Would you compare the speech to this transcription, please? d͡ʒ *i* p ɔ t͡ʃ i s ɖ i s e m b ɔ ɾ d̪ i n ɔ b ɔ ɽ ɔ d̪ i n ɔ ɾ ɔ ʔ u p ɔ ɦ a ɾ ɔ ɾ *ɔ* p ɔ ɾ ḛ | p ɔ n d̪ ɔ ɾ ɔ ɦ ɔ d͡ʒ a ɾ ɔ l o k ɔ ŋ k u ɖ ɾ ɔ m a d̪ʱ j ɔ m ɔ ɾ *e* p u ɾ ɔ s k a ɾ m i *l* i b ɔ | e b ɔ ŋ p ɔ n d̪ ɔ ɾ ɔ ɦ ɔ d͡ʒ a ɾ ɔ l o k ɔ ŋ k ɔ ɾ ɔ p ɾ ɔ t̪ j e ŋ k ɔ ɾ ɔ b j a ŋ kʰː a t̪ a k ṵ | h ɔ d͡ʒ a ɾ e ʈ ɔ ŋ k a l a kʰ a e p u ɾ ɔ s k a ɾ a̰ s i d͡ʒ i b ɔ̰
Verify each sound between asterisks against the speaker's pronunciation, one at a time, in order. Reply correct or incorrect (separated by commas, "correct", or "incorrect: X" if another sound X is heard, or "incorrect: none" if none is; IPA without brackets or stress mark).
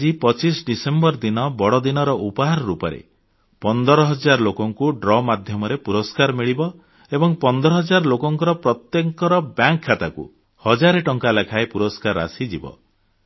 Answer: correct, incorrect: u, correct, incorrect: ɭ